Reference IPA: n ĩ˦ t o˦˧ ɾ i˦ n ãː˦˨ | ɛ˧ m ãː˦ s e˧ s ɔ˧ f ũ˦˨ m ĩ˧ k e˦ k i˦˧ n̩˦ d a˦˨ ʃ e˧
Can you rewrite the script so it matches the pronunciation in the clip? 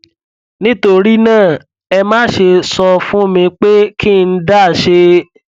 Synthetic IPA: n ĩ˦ t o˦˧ ɾ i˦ n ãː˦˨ | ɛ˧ m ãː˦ ʃ e˧ s ɔ˧ f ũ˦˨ m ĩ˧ k͡p e˦ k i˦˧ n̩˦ d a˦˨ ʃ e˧